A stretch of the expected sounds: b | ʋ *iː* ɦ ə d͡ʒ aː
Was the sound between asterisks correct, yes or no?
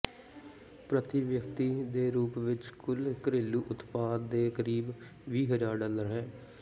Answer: yes